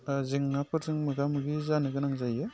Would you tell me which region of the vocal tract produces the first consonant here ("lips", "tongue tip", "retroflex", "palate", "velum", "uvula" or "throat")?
tongue tip